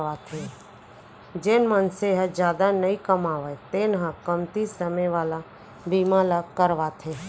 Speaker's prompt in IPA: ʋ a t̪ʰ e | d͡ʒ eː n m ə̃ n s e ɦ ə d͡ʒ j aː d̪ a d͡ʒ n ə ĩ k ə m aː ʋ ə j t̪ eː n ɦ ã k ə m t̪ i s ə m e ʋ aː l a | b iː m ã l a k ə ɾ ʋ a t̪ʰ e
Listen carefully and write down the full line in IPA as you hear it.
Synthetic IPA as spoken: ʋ a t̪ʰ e | d͡ʒ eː n m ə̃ n s e ɦ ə d͡ʒ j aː d̪ a n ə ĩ k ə m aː ʋ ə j t̪ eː n ɦ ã k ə m t̪ i s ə m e ʋ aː l a | b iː m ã l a k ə ɾ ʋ a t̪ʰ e